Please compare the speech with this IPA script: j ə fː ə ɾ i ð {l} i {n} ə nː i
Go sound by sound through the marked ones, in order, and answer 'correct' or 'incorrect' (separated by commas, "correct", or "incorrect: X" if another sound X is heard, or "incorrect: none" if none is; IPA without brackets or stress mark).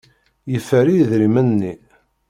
incorrect: ɾ, incorrect: m